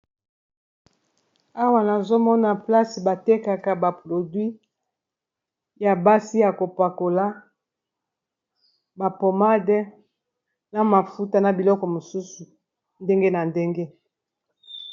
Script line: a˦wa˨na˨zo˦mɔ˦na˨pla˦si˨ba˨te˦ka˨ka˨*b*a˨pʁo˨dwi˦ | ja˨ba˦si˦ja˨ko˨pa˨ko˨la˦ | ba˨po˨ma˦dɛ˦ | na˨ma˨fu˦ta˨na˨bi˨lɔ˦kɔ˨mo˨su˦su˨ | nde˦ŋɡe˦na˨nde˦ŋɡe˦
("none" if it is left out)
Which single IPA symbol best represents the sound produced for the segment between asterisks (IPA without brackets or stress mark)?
b